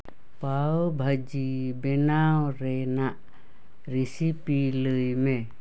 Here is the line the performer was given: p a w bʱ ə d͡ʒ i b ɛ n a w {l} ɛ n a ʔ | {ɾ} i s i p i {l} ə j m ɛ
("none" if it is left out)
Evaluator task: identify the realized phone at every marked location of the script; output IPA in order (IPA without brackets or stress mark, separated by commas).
ɾ, ɾ, l